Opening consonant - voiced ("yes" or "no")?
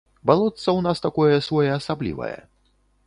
yes